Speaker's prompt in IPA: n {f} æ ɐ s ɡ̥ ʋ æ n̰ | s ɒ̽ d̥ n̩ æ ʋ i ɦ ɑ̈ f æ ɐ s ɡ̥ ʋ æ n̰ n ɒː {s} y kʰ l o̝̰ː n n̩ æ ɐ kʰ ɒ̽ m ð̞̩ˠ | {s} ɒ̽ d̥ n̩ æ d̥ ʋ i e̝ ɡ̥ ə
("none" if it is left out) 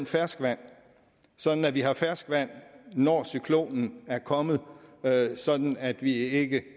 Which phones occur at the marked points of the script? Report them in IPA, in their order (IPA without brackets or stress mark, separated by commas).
f, s, s